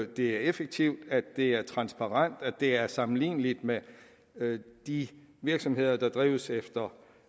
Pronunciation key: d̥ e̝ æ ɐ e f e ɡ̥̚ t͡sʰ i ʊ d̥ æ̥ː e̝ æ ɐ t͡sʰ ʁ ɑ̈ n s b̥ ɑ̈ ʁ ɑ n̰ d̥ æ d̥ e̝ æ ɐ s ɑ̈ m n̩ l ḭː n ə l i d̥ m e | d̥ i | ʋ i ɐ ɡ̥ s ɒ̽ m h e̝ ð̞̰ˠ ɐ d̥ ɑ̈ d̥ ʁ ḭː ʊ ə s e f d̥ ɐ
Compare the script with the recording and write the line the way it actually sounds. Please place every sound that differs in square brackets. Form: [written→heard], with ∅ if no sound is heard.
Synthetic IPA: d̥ e̝ æ ɐ e f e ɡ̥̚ t͡sʰ i ʊ d̥ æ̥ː e̝ æ ɐ t͡sʰ ʁ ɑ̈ n s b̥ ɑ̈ ʁ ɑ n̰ d̥ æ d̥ e̝ æ ɐ s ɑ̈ m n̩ l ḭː n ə l i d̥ m e | d̥ i | ʋ i ɐ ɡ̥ s ɒ̽ m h e̝ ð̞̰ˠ ɐ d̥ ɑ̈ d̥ ʁ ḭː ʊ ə s e f d̥ ɐ

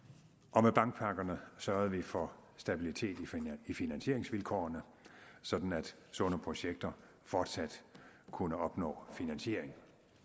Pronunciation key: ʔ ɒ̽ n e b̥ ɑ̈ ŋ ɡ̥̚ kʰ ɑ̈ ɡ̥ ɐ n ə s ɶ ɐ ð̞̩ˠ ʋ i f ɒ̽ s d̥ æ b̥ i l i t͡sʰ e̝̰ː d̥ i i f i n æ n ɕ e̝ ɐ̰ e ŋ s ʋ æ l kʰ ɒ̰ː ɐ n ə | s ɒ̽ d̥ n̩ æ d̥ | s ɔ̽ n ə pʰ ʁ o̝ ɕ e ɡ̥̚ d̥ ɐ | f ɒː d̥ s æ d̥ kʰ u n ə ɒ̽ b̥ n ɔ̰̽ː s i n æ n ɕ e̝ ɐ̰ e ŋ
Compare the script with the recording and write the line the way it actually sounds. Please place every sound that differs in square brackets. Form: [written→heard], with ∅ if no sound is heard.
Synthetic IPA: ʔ ɒ̽ [n→m] e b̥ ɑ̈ ŋ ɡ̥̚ [kʰ→pʰ] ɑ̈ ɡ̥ ɐ n ə s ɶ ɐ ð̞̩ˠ ʋ i f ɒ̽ s d̥ æ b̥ i l i t͡sʰ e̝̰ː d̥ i i f i n æ n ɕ e̝ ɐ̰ e ŋ s ʋ [æ→i] l kʰ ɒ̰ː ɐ n ə | s ɒ̽ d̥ n̩ æ d̥ | s ɔ̽ n ə pʰ ʁ o̝ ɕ e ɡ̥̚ d̥ ɐ | f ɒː d̥ s æ d̥ kʰ u n ə ɒ̽ b̥ n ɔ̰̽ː [s→f] i n æ n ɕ e̝ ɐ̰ e ŋ

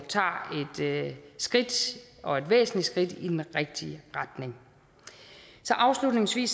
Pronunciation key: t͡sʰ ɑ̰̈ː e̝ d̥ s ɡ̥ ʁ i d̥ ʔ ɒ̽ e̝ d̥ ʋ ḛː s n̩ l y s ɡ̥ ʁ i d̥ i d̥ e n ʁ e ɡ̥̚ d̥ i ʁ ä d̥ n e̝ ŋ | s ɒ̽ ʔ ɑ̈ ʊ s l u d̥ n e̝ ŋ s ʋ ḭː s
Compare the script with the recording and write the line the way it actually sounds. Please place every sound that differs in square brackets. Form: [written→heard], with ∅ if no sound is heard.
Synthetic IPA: t͡sʰ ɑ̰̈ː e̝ d̥ s ɡ̥ ʁ i d̥ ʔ ɒ̽ e̝ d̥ ʋ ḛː s n̩ l [y→i] s ɡ̥ ʁ i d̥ i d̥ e n ʁ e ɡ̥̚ d̥ i ʁ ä d̥ n e̝ ŋ | s ɒ̽ ʔ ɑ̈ ʊ s l u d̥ n e̝ ŋ s ʋ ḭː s

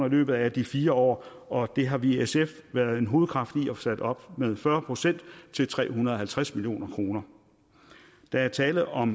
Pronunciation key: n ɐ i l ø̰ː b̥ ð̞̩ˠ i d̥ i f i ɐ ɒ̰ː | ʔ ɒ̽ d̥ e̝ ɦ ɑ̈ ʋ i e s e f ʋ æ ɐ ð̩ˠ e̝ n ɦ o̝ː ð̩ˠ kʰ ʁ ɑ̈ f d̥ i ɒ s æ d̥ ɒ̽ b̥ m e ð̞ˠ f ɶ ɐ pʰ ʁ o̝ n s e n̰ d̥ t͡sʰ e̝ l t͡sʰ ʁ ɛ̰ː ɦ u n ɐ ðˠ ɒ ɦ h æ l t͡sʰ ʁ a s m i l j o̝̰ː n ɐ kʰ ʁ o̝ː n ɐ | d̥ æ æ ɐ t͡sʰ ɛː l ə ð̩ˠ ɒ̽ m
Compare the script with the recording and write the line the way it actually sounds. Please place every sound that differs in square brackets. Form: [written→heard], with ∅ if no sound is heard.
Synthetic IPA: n ɐ i l ø̰ː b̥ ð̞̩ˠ [i→æ] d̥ i f [i→iː] ɐ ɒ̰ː | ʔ ɒ̽ d̥ e̝ ɦ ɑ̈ ʋ i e s e f ʋ æ ɐ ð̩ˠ e̝ n ɦ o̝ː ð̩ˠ kʰ ʁ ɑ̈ f d̥ i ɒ s æ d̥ ɒ̽ b̥ m e ð̞ˠ f ɶ ɐ pʰ ʁ o̝ [n→∅] s e n̰ d̥ t͡sʰ e̝ l t͡sʰ ʁ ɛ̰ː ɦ u n ɐ ðˠ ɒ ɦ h æ l t͡sʰ ʁ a s m i l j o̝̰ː n ɐ kʰ ʁ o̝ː n ɐ | d̥ æ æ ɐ t͡sʰ ɛː l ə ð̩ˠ ɒ̽ m

